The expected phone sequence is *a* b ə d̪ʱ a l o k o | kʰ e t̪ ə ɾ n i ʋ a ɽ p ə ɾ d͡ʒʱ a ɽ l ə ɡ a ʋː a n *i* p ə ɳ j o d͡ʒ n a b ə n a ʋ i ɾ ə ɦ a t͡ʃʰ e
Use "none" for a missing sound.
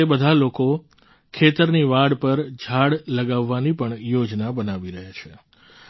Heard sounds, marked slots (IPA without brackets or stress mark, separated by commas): e, i